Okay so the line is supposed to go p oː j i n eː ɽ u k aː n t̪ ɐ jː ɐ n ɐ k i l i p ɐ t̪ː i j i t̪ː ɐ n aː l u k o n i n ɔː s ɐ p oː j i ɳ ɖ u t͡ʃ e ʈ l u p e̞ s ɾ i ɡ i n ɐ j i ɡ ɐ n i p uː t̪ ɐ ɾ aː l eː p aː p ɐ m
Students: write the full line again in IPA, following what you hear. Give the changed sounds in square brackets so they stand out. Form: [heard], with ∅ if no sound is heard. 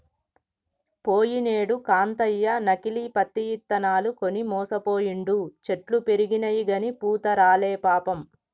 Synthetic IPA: p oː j i n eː ɽ u k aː n t̪ ɐ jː ɐ n ɐ k i l i p ɐ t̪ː i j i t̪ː ɐ n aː l u k o n i [m] ɔː s ɐ p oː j i ɳ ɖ u t͡ʃ e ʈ l u p e̞ [∅] ɾ i ɡ i n ɐ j i ɡ ɐ n i p uː t̪ ɐ ɾ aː l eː p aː p ɐ m

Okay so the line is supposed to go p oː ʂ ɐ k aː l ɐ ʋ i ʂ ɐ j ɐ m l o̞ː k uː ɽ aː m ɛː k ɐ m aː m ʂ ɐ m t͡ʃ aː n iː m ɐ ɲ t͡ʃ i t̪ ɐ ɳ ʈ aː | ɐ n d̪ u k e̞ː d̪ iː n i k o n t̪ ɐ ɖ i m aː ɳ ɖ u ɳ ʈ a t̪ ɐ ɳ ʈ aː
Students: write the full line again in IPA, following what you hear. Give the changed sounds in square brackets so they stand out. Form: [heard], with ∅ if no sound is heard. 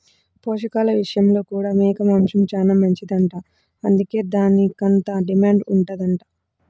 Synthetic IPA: p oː ʂ ɐ k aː l ɐ ʋ i ʂ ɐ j ɐ m l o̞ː k uː ɽ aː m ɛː k ɐ m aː m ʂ ɐ m t͡ʃ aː n [aː] m ɐ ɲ t͡ʃ i [d̪] ɐ ɳ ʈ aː | ɐ n d̪ u k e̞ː d̪ [aː] n i k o n t̪ ɐ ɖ i m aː ɳ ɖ u ɳ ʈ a [d̪] ɐ ɳ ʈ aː

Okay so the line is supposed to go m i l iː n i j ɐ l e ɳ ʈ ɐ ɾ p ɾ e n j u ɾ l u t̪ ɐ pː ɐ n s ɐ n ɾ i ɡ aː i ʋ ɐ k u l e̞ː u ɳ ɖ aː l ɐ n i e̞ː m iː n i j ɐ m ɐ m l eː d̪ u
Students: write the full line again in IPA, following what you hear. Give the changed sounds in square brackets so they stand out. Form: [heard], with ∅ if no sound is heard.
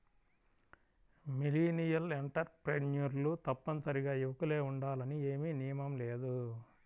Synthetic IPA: m i l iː n i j ɐ l e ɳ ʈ ɐ ɾ p ɾ e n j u ɾ l u t̪ ɐ pː ɐ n s ɐ [∅] ɾ i ɡ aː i ʋ ɐ k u l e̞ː u ɳ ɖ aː l ɐ n i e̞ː m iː n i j ɐ m ɐ m l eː d̪ u

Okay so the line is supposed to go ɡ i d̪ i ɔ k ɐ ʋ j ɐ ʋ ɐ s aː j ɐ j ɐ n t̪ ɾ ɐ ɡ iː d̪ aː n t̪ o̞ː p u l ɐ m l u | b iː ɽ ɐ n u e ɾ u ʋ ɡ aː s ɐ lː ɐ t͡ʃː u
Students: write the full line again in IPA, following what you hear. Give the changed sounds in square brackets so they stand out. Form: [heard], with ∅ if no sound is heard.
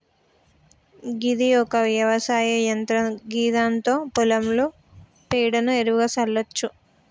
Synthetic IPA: ɡ i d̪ i ɔ k ɐ ʋ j ɐ ʋ ɐ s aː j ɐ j ɐ n t̪ ɾ ɐ ɡ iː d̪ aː n t̪ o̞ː p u l ɐ m l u | [p] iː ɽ ɐ n u e ɾ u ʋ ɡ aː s ɐ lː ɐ t͡ʃː u

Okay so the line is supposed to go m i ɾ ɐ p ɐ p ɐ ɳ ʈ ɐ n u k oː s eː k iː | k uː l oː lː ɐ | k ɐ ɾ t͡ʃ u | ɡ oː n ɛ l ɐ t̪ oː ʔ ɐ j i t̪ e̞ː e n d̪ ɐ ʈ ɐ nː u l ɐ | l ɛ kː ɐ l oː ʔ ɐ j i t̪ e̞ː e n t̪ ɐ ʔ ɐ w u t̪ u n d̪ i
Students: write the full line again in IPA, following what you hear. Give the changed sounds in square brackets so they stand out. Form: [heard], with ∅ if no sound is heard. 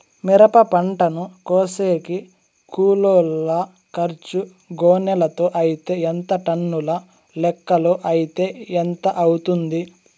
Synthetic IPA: m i ɾ ɐ p ɐ p ɐ ɳ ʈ ɐ n u k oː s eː k [i] | k uː l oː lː ɐ | k ɐ ɾ t͡ʃ u | ɡ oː n ɛ l ɐ t̪ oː ʔ ɐ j i t̪ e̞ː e n [t̪] ɐ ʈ ɐ nː u l ɐ | l ɛ kː ɐ l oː ʔ ɐ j i t̪ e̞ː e n t̪ ɐ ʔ ɐ w u t̪ u n d̪ i

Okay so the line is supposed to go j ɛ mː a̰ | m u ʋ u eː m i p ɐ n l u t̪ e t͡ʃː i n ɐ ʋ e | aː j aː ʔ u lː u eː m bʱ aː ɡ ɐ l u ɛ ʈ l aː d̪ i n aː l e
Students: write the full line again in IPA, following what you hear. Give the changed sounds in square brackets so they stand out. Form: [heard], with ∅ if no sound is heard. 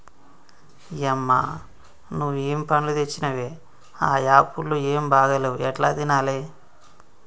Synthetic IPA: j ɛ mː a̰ | [n] u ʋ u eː m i p ɐ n l u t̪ e t͡ʃː i n ɐ ʋ e | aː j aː [p] u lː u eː m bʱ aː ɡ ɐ l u ɛ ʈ l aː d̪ i n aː l e

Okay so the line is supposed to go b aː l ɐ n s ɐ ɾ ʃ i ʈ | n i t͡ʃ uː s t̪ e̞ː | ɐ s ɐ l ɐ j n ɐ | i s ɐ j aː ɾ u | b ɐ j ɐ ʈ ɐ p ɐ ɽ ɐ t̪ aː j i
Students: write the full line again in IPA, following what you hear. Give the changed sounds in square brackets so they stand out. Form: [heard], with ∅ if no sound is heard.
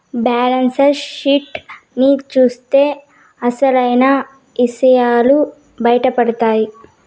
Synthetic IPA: b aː l ɐ n s ɐ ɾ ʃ i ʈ | n i t͡ʃ uː s t̪ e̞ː | ɐ s ɐ l ɐ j n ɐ | i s ɐ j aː [l] u | b ɐ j ɐ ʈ ɐ p ɐ ɽ ɐ t̪ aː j i

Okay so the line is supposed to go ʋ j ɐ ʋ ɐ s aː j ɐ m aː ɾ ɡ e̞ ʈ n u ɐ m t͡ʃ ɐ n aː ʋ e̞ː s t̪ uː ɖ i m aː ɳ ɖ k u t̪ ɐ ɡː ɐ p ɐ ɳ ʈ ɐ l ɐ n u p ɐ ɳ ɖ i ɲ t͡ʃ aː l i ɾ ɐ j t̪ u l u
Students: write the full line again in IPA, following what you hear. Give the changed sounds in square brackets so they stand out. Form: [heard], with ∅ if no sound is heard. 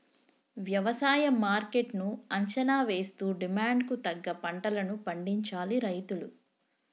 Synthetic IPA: ʋ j ɐ ʋ ɐ s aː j ɐ m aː ɾ [k] e̞ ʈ n u ɐ [ɲ] t͡ʃ ɐ n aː ʋ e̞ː s t̪ uː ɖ i m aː ɳ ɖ k u t̪ ɐ ɡː ɐ p ɐ ɳ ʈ ɐ l ɐ n u p ɐ ɳ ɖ i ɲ t͡ʃ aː l i ɾ ɐ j t̪ u l u

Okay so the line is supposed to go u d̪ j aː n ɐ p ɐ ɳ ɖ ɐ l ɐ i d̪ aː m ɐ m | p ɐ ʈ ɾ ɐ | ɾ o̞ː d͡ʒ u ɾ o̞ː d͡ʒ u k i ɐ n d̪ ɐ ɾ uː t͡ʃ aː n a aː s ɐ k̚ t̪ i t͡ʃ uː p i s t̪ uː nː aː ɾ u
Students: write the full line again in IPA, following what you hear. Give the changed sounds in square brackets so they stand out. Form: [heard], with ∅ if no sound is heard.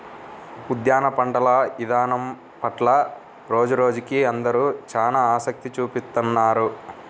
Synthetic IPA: u d̪ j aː n ɐ p ɐ ɳ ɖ ɐ l ɐ i d̪ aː [n] ɐ m | p ɐ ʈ [l] ɐ | ɾ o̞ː d͡ʒ u ɾ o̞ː d͡ʒ u k i ɐ n d̪ ɐ ɾ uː t͡ʃ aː n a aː s ɐ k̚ t̪ i t͡ʃ uː p i s t̪ [u] nː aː ɾ u

